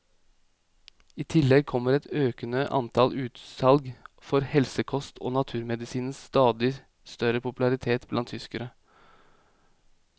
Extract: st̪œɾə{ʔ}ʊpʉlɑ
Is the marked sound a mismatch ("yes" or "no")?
yes